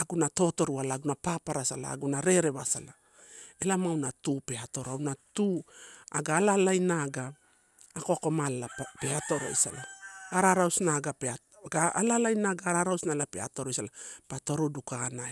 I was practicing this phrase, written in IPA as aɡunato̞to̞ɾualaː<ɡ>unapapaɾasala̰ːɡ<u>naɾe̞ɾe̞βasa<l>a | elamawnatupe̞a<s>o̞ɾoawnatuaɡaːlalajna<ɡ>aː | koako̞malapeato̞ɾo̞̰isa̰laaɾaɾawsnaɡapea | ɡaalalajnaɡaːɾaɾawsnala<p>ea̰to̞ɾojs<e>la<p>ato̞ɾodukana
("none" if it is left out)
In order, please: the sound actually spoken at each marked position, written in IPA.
ɡ, u, l, t, ɡ, p, a, p

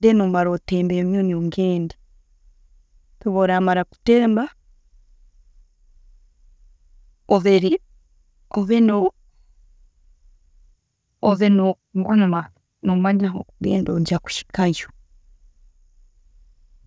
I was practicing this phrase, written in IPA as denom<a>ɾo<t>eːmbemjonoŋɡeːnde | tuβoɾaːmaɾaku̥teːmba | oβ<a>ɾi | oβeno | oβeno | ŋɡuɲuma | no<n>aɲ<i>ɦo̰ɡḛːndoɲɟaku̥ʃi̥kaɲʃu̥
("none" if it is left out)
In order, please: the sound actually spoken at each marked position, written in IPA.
a, t, e, m, a

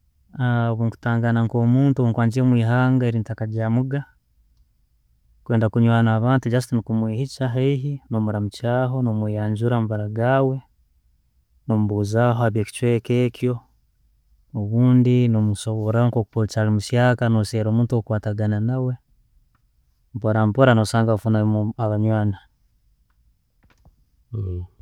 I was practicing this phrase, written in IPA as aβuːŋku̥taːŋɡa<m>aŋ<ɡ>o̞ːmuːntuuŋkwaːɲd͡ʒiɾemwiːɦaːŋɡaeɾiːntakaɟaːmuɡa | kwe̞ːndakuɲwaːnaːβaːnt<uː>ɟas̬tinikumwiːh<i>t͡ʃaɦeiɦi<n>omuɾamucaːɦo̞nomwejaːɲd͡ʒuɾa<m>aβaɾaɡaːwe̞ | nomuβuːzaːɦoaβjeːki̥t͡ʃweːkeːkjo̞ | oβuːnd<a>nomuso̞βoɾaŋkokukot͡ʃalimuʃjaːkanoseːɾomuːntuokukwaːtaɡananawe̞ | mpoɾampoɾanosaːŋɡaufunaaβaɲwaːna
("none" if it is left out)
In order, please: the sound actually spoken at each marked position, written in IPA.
n, k, u, i, n, m, i

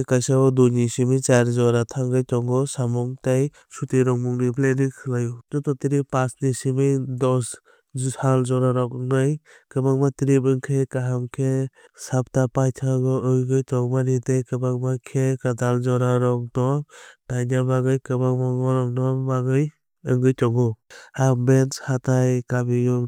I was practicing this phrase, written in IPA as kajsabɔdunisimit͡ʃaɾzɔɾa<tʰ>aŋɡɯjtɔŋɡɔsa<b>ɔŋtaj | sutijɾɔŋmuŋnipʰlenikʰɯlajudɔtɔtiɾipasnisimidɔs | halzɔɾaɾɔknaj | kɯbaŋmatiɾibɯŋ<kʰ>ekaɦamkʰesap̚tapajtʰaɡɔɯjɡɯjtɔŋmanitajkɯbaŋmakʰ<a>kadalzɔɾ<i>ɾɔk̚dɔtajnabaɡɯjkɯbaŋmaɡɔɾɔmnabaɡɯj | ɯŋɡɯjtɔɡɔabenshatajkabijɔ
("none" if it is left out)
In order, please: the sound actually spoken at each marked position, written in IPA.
tʰ, m, kʰ, e, a

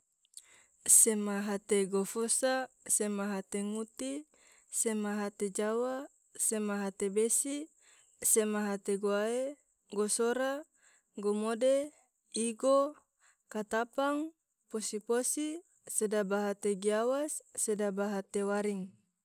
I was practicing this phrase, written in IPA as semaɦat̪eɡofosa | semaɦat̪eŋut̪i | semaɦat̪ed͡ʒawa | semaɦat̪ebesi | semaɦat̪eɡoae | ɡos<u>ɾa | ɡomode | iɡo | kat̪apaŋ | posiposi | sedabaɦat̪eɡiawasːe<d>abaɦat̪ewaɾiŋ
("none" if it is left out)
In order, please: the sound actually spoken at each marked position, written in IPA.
o, d

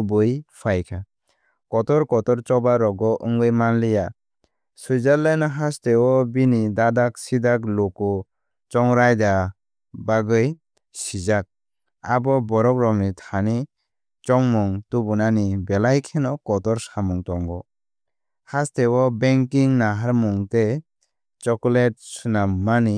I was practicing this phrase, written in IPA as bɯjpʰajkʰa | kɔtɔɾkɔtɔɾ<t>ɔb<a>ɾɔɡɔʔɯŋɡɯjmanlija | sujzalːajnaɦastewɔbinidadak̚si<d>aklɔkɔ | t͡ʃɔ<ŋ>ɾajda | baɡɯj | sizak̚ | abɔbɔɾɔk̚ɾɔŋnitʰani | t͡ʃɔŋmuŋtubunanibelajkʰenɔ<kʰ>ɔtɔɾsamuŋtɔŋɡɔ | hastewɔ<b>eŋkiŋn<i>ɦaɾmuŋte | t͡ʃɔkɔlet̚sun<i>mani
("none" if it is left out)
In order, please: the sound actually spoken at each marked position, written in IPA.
t͡ʃ, a, d, ŋ, k, b, a, a

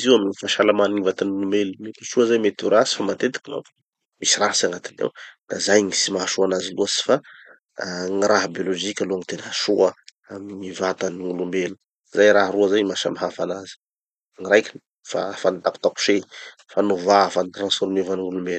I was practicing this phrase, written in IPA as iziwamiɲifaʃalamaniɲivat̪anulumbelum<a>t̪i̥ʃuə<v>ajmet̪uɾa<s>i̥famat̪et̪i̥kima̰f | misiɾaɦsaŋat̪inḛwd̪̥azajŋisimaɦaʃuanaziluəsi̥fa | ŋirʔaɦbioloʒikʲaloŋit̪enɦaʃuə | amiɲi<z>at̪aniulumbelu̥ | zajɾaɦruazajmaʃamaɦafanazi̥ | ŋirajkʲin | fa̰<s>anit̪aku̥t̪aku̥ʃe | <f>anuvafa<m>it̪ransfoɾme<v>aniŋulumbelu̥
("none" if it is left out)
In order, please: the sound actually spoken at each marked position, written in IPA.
e, z, s, v, f, f, n, v

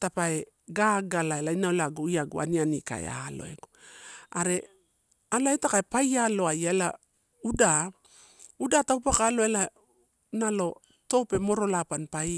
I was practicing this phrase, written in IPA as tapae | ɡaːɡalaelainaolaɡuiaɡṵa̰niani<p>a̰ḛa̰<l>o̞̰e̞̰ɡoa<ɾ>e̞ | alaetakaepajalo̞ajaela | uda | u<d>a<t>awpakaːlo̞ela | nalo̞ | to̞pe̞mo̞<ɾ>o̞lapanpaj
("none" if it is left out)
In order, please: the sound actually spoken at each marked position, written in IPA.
k, l, ɾ, d, t, ɾ

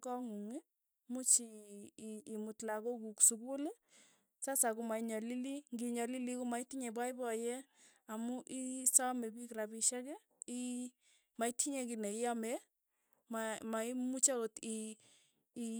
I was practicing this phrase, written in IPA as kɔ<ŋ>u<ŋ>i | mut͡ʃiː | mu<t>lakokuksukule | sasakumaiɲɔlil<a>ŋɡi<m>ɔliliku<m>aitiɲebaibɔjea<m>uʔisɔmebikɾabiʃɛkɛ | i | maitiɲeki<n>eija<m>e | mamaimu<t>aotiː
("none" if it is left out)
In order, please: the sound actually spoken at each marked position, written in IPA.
ŋ, ŋ, t, i, ɲ, m, m, n, m, t͡ʃ

